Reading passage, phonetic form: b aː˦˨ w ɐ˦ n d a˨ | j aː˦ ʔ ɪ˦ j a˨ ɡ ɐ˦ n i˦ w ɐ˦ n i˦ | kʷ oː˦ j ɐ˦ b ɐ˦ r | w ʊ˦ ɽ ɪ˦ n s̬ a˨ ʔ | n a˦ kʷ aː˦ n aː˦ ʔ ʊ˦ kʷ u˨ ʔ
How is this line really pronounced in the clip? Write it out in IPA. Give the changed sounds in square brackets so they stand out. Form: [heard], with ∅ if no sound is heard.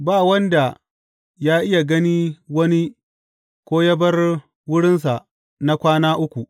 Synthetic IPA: b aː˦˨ w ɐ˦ n d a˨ | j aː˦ ʔ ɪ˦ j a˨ ɡ ɐ˦ n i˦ w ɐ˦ n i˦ | kʷ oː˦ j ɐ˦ b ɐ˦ r | w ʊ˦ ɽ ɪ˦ n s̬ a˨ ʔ | n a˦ kʷ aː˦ n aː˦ ʔ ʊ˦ kʷ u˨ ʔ